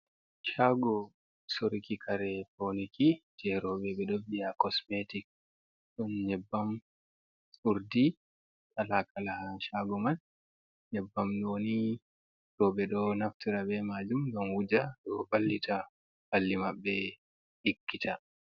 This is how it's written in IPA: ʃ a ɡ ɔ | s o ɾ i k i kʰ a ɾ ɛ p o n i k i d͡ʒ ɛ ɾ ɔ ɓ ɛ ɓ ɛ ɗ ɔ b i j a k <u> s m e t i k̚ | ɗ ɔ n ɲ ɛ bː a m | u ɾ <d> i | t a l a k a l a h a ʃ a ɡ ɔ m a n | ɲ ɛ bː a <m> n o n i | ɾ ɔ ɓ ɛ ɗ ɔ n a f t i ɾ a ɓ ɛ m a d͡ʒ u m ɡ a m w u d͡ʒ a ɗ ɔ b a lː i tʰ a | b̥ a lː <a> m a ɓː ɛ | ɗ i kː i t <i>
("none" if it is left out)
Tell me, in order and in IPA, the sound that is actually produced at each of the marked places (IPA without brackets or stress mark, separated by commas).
ɔ, d, m, i, a